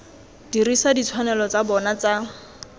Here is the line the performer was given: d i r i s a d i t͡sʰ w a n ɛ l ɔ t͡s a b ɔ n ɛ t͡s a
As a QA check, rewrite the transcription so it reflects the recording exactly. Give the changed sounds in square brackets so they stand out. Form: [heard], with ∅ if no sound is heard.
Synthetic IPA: d i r i s a d i t͡sʰ w a n ɛ l ɔ t͡s a b ɔ n [a] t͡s a